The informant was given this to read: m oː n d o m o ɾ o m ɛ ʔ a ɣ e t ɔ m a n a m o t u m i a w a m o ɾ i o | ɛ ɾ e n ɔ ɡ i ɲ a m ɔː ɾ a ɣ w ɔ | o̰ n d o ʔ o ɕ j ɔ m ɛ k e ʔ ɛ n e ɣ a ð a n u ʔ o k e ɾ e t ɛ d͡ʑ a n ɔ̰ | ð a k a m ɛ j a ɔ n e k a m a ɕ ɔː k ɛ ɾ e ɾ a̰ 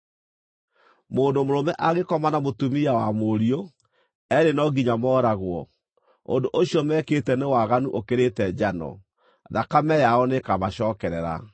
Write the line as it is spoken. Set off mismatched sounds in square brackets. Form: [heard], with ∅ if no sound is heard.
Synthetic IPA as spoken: m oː n d o m o ɾ o m ɛ ʔ a ɣ e [k] ɔ m a n a m o t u m i a w a m o ɾ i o | ɛ ɾ e n ɔ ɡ i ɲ a m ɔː ɾ a ɣ w ɔ | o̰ n d o ʔ o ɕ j ɔ m ɛ k e [t] ɛ n e [w] a [ɣ] a n u ʔ o k e ɾ e t ɛ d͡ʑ a n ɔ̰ | ð a k a m ɛ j a ɔ n e k a m a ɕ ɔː k ɛ ɾ [ɛ] ɾ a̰